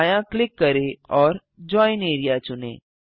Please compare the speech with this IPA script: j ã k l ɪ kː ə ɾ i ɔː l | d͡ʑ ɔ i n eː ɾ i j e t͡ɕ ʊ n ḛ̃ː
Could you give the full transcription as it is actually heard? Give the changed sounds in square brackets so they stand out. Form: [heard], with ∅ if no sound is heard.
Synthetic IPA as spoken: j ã k l ɪ kː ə ɾ [e] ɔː [ɾ] | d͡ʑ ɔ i n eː ɾ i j [a] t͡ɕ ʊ n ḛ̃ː